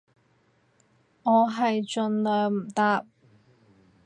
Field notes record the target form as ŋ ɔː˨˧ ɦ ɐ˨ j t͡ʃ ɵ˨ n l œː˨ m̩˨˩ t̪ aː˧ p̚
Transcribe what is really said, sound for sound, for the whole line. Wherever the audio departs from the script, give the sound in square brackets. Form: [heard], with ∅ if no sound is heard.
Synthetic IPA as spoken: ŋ ɔː˨˧ ɦ ɐ˨ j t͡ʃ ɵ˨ n l œː˨ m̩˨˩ t̪ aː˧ p̚